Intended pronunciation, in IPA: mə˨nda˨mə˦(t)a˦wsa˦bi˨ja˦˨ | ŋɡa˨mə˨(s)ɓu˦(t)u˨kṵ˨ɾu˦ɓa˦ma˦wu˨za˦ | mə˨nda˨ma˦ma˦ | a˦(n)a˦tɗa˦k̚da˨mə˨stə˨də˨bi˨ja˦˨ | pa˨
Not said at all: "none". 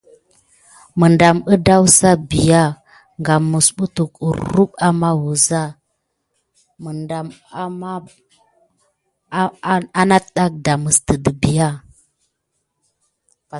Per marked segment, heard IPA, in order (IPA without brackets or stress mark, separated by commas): d, s, t, n